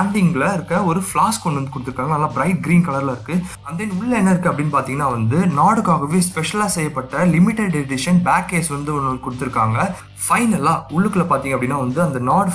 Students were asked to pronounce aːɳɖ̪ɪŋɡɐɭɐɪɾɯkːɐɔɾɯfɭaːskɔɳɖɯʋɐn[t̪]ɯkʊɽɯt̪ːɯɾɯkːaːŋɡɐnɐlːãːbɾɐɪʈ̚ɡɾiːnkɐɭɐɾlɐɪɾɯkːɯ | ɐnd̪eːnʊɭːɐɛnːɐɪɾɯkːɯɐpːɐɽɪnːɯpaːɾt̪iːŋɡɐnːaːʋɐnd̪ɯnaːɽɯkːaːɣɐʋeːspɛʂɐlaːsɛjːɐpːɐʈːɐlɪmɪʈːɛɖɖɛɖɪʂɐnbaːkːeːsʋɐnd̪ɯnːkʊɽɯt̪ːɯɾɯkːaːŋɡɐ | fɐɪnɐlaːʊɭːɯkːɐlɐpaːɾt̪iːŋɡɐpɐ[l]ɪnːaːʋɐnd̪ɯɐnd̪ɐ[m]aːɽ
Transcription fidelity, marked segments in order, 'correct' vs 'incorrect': incorrect: d̪, incorrect: ɽ, incorrect: n

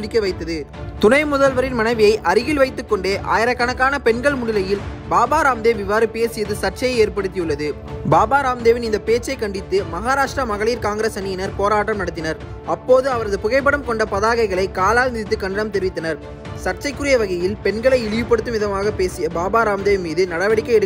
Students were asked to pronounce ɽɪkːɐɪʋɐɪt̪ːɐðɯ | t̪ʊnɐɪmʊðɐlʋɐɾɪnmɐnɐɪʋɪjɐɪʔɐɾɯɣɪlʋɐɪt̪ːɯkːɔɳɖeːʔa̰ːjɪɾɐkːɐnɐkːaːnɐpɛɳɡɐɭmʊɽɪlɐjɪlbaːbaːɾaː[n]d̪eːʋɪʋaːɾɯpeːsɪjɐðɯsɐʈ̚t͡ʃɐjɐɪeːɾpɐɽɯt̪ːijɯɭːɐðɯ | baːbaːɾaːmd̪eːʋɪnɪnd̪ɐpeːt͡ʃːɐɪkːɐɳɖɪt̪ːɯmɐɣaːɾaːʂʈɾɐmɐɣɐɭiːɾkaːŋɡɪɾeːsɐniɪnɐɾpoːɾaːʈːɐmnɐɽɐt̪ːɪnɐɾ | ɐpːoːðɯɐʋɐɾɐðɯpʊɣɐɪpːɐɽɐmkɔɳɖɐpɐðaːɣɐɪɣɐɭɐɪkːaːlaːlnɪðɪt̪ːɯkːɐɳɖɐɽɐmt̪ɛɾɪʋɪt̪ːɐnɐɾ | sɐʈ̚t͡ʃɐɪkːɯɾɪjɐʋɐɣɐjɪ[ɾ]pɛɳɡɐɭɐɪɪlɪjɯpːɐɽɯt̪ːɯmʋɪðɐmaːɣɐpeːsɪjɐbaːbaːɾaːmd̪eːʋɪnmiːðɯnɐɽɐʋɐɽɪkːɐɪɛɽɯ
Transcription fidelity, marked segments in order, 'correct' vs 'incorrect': incorrect: m, incorrect: l

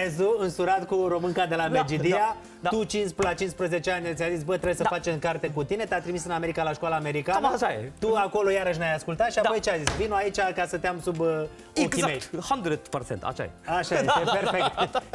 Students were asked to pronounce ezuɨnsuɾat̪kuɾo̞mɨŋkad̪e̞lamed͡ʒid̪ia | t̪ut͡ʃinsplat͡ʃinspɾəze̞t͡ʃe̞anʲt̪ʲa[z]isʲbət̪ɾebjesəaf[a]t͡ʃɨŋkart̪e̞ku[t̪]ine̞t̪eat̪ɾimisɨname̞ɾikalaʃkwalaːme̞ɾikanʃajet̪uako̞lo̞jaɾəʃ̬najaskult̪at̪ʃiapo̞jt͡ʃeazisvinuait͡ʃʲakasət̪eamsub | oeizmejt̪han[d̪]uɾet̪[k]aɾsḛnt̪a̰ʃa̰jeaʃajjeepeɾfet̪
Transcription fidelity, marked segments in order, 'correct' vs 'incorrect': correct, correct, correct, correct, incorrect: p

